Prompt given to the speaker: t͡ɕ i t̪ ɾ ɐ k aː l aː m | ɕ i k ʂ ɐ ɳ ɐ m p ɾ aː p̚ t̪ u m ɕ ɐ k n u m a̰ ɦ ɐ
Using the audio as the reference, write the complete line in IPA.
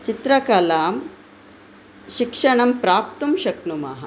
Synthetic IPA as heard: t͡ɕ i t̪ ɾ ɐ k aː l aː m | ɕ i k ʂ ɐ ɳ ɐ m p ɾ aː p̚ t̪ u m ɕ ɐ k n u m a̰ ɦ ɐ